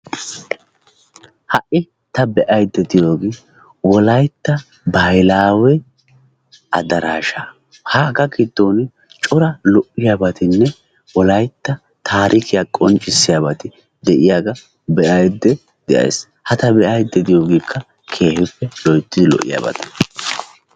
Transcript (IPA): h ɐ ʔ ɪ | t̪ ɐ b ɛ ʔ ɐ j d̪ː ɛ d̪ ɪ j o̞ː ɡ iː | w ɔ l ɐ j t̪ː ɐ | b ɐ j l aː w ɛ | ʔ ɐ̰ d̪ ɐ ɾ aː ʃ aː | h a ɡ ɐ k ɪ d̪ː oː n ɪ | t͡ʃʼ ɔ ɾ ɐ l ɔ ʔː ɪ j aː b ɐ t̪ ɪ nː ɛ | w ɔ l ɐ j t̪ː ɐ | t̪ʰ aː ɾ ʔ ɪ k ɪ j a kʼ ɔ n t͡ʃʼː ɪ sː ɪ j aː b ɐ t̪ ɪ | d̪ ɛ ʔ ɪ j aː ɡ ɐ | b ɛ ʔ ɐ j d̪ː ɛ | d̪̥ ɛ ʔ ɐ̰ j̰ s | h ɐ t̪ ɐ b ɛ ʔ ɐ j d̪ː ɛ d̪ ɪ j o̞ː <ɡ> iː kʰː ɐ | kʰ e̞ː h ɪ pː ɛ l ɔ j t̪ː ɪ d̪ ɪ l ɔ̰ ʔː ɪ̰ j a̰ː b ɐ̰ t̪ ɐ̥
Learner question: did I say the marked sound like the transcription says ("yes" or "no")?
yes